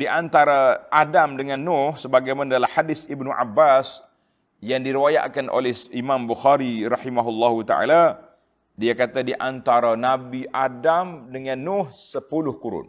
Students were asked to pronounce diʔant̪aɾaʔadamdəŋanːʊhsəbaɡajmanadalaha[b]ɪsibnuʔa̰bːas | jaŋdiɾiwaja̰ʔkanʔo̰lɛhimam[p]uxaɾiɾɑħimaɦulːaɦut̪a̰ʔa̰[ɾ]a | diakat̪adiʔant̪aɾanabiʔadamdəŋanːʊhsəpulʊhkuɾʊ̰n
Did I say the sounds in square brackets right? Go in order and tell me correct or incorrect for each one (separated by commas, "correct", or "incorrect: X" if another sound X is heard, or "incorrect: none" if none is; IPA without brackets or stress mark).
incorrect: d, incorrect: b, incorrect: l